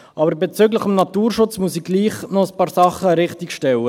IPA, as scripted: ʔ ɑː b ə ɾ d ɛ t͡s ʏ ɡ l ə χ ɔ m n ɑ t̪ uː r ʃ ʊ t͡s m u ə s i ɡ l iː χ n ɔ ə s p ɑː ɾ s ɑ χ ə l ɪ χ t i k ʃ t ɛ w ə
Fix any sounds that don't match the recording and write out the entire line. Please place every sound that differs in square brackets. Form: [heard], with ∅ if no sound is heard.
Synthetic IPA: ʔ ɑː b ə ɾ [b] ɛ t͡s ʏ ɡ l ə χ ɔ m n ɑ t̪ uː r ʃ ʊ t͡s m u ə s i ɡ l iː χ n ɔ ə s p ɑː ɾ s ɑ χ ə [ɾ] ɪ χ t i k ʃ t ɛ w ə